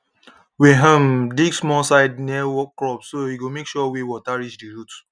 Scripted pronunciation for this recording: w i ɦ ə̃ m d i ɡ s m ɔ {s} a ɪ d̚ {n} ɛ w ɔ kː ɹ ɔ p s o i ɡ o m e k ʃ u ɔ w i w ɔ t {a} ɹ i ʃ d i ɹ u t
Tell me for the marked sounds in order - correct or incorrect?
correct, correct, correct

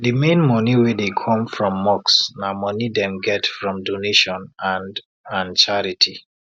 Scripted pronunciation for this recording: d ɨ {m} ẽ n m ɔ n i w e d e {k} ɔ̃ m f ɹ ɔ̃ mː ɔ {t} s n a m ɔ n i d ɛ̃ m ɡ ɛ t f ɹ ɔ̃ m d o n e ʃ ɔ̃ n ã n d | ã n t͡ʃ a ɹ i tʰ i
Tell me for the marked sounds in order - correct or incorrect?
correct, incorrect: kʰ, incorrect: k

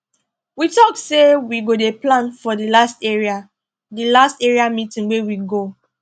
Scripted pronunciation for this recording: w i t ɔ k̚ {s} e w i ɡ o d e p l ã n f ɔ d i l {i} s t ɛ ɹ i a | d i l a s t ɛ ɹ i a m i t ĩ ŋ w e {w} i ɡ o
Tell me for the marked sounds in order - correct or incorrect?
correct, incorrect: a, correct

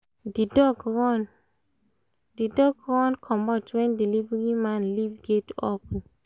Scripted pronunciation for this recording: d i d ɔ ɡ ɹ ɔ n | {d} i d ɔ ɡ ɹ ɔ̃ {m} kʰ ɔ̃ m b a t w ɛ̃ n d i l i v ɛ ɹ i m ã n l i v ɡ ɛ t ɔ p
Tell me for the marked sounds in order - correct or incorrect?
correct, incorrect: n

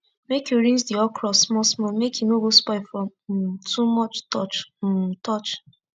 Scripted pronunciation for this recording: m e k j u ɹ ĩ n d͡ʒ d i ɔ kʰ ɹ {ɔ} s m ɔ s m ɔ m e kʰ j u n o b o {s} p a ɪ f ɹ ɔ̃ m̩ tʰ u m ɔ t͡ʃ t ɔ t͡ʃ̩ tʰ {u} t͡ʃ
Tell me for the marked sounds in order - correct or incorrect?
correct, correct, incorrect: ɔ

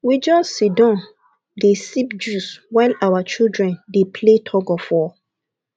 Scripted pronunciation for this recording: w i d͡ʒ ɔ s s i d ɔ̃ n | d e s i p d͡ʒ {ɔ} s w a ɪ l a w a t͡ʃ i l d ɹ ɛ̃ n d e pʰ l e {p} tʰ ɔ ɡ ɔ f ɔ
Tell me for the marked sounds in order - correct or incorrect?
incorrect: u, incorrect: none

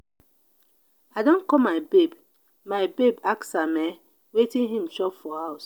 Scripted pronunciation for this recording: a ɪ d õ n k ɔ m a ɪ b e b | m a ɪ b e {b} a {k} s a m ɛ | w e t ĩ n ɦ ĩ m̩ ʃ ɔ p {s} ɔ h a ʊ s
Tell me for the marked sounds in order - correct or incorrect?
correct, correct, incorrect: f

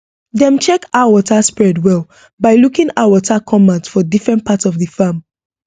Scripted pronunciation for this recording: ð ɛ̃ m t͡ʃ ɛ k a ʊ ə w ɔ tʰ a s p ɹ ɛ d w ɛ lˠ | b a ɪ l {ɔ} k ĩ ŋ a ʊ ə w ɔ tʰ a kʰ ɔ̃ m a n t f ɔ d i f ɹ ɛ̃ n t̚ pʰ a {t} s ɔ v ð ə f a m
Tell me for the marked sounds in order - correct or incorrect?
incorrect: u, correct

